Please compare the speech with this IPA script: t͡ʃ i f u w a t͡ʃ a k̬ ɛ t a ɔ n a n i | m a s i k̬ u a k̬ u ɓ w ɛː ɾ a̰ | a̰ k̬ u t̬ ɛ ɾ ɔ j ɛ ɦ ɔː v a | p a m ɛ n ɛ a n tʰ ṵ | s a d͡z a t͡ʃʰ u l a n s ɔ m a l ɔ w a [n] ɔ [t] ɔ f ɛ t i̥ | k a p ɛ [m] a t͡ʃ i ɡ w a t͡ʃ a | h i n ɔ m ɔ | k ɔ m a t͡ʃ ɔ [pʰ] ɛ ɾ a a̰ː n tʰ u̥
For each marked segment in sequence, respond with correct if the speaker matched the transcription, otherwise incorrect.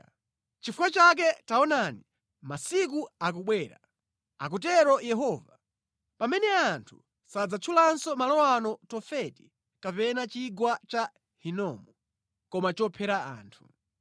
correct, correct, incorrect, correct

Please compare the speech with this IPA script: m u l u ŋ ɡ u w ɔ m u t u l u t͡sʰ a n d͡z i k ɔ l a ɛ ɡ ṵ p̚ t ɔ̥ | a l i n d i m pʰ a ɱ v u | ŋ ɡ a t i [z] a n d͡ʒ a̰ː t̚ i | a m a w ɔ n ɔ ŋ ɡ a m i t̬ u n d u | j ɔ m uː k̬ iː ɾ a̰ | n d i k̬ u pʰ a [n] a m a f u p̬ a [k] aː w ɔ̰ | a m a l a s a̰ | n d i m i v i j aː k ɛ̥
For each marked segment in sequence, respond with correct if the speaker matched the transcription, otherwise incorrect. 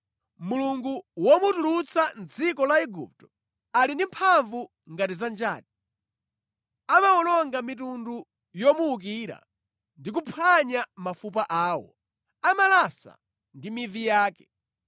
correct, incorrect, incorrect

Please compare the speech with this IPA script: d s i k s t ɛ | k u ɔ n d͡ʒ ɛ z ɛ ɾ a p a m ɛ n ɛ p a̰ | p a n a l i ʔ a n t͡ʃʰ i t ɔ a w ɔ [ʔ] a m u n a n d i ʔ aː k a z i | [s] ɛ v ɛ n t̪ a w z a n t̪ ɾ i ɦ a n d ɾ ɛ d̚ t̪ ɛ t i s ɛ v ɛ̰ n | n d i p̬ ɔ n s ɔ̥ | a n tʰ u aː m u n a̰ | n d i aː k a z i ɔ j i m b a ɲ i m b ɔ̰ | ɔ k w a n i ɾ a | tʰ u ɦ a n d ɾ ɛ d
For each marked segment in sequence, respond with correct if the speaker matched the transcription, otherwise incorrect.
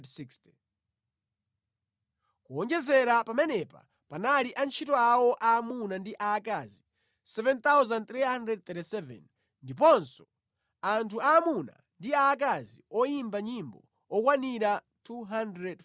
correct, correct

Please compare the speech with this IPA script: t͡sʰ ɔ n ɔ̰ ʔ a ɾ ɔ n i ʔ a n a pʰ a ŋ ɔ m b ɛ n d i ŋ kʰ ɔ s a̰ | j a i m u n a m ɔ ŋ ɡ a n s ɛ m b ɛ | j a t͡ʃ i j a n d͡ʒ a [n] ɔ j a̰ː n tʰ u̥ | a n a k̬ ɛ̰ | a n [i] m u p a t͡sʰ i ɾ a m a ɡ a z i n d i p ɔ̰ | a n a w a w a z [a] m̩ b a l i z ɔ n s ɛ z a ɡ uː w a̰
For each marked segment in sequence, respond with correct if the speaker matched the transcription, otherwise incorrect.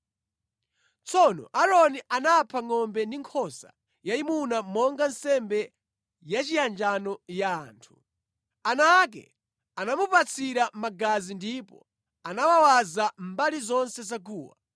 correct, incorrect, correct

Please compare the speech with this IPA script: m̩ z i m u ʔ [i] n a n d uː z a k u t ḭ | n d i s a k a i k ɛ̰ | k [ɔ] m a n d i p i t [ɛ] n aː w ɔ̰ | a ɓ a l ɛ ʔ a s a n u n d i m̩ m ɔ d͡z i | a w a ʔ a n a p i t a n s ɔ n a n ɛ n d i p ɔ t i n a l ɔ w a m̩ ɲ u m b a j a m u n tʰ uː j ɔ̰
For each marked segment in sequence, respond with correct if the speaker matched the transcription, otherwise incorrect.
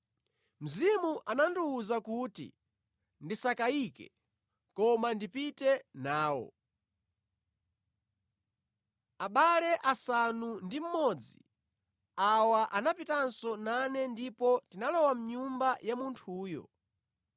incorrect, correct, correct

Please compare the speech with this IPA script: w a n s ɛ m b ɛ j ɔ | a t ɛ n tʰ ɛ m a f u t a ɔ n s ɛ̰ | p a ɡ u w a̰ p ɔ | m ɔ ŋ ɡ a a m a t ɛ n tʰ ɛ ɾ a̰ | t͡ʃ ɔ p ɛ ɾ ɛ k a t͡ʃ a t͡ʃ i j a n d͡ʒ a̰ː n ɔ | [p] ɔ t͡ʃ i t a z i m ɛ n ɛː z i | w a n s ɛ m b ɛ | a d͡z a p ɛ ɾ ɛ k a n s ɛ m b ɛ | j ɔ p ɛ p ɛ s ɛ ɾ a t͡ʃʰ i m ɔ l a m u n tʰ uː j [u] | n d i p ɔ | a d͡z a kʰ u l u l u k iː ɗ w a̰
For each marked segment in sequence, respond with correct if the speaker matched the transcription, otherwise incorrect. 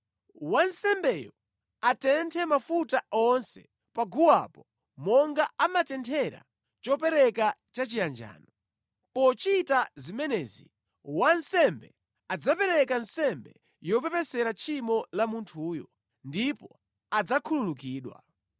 correct, incorrect

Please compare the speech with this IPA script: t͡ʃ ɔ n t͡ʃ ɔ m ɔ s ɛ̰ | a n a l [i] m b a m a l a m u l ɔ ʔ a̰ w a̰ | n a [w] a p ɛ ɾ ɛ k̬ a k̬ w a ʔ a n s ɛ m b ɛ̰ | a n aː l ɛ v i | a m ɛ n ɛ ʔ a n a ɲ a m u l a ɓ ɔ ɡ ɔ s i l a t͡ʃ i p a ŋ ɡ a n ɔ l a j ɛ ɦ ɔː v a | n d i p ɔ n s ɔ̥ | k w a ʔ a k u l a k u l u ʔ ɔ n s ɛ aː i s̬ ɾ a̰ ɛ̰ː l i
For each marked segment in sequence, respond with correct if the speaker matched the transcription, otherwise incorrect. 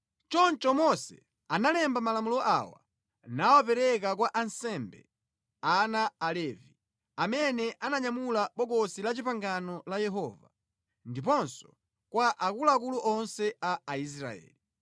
incorrect, correct

